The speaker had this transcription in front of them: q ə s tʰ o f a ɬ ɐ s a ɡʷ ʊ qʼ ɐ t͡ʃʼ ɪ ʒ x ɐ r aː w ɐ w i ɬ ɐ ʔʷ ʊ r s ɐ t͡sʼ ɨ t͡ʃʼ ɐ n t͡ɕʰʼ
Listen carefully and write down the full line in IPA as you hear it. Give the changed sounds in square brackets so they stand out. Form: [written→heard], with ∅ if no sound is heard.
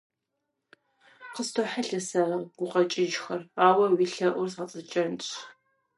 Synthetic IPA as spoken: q ə s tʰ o [f→ħ] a ɬ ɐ s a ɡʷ ʊ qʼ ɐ t͡ʃʼ ɪ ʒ x ɐ r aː w ɐ w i ɬ ɐ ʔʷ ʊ r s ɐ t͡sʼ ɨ t͡ʃʼ ɐ n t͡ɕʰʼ